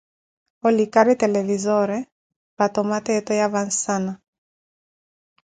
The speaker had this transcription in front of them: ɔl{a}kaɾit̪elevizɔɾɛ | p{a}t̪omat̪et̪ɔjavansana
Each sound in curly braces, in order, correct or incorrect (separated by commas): incorrect, correct